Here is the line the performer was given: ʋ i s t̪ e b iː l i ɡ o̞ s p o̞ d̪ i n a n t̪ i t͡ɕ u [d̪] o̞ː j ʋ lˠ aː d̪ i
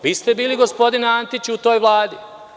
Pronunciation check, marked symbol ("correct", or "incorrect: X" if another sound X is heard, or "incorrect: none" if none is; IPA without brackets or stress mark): incorrect: t̪